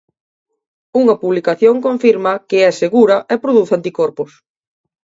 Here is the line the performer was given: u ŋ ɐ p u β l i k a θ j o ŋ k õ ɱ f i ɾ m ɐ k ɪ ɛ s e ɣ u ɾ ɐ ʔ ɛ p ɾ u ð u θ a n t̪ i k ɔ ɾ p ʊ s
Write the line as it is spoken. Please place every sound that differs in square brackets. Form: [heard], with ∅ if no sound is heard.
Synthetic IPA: u ŋ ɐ p u β l i k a θ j o ŋ k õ ɱ f i ɾ m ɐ k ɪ ɛ s e ɣ u ɾ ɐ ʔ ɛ p ɾ [o] ð u θ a n t̪ i k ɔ ɾ p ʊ s